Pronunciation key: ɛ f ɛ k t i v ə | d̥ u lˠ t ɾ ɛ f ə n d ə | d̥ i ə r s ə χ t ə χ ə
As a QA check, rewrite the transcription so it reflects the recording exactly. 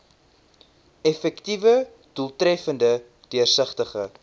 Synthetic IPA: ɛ f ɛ k t i v ə | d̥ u lˠ t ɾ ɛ f ə n d ə | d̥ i ə r s ə χ t ə χ ə